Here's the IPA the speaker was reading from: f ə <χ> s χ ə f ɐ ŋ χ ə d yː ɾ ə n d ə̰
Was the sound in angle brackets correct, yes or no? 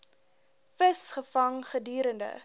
no